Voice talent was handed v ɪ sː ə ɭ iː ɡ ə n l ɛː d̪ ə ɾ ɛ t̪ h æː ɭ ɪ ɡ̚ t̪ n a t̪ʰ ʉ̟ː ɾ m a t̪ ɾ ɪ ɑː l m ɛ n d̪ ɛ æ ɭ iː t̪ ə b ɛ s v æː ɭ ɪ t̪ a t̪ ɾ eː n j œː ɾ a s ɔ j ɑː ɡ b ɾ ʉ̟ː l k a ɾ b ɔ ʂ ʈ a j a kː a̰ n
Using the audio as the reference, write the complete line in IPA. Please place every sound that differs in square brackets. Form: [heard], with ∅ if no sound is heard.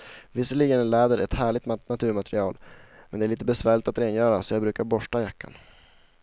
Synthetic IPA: v ɪ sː ə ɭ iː ɡ ə n l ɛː d̪ ə ɾ ɛ t̪ h æː ɭ ɪ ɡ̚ t̪ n a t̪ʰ ʉ̟ː ɾ m a t̪ ɾ ɪ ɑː l m ɛ n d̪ ɛ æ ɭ iː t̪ ə b ɛ s v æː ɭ ɪ t̪ a t̪ ɾ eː n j œː ɾ a s ɔ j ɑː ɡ b ɾ ʉ̟ː [∅] k a ɾ b ɔ ʂ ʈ a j a kː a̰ n